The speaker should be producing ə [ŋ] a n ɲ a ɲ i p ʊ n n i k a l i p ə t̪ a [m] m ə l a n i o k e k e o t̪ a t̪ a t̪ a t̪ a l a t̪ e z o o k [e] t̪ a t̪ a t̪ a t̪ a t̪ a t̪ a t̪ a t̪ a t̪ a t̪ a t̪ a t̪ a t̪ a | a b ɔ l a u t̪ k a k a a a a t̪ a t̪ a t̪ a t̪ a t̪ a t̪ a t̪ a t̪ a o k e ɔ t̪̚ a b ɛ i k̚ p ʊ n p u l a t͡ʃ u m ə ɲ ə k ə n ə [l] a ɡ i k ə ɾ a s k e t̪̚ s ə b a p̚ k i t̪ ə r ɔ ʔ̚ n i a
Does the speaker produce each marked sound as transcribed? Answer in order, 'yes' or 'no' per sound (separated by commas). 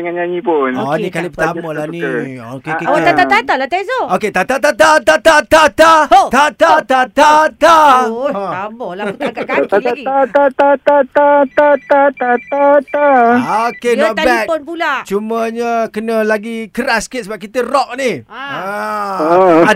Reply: yes, yes, yes, yes